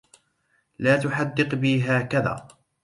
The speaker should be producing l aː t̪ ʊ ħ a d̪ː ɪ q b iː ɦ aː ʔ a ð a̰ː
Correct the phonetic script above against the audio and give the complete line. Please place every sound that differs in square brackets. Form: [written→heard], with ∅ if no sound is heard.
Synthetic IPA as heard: l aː t̪ ʊ ħ a d̪ː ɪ q b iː ɦ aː [ʔ→k] a ð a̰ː